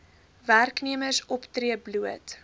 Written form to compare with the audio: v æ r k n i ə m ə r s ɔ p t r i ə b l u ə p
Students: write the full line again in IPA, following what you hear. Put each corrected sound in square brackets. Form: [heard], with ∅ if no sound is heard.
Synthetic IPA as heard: v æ r k n i ə m ə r s ɔ p t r i ə b l u ə [t]